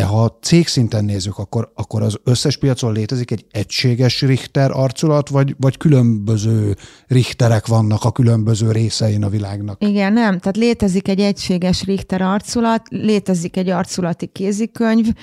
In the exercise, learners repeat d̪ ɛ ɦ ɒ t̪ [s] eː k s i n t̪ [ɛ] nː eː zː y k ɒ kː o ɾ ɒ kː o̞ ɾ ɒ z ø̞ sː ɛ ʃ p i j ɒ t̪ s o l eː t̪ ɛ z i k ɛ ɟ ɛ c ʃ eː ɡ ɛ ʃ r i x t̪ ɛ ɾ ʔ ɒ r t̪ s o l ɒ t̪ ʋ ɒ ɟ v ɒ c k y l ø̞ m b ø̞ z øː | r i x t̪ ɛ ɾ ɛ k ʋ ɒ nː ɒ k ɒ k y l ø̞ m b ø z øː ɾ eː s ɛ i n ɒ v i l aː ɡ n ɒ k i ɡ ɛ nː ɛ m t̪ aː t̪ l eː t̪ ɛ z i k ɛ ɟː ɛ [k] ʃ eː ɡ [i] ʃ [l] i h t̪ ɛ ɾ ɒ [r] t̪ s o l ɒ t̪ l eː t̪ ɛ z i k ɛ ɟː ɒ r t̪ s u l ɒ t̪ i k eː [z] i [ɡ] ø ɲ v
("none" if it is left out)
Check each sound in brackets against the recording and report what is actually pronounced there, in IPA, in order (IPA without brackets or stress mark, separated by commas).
s, ɛ, c, ɛ, r, r, z, k